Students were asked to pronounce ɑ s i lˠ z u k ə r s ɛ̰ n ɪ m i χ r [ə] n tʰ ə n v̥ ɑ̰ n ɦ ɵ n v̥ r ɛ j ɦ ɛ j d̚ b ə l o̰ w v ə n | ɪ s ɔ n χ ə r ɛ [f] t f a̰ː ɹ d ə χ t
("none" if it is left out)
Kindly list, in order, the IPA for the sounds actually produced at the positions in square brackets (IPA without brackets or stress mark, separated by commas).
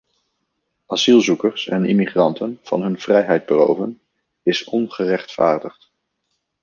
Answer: ɑ, χ